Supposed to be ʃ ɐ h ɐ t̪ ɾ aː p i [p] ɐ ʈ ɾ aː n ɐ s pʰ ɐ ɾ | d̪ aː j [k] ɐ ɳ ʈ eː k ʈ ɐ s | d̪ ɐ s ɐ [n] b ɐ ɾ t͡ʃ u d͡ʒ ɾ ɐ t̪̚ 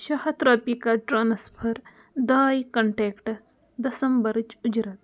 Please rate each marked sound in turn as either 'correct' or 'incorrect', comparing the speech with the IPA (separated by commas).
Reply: incorrect, correct, incorrect